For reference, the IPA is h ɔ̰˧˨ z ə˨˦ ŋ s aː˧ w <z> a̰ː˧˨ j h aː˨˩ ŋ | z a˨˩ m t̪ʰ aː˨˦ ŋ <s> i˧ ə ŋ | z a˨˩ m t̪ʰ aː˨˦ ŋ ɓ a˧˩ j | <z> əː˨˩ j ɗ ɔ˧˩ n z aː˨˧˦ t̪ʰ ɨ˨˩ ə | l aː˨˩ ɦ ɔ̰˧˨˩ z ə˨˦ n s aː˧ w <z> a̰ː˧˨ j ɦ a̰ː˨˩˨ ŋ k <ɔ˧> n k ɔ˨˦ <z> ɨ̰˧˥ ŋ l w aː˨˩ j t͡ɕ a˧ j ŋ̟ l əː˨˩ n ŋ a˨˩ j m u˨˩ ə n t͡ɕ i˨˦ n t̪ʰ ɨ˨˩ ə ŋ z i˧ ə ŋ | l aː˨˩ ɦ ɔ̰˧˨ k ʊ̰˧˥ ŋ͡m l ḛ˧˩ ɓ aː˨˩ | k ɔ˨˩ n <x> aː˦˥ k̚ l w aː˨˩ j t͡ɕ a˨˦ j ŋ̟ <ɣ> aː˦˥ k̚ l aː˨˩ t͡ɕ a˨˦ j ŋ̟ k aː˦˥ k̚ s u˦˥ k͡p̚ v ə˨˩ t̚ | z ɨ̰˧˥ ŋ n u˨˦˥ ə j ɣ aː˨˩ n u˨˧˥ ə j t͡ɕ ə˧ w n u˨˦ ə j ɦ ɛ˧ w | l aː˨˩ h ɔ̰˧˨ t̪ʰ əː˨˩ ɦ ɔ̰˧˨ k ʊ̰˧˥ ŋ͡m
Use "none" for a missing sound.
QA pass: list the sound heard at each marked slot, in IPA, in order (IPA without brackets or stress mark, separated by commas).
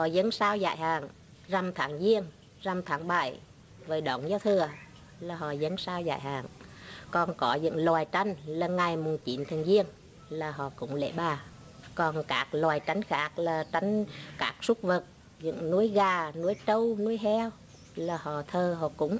z, z, v, z, ɔ˨˩, z, k, x